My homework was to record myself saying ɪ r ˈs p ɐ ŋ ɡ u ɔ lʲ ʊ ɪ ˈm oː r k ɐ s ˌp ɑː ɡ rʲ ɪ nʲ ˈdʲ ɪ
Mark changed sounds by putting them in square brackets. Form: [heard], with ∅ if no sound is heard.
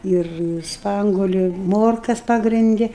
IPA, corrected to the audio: ɪ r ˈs p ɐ ŋ ɡ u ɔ lʲ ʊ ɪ ˈm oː r k ɐ s ˌp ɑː ɡ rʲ ɪ nʲ ˈdʲ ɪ